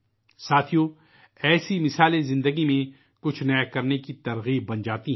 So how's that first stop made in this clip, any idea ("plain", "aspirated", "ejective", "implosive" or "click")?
aspirated